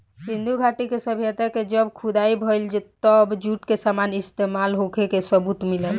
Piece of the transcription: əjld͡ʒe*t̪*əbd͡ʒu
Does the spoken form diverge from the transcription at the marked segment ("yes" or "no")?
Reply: no